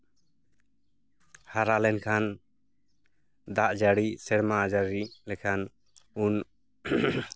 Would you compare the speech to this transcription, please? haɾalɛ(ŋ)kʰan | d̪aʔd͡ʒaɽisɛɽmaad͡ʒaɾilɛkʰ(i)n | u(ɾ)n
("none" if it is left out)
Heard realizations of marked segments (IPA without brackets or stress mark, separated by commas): n, a, none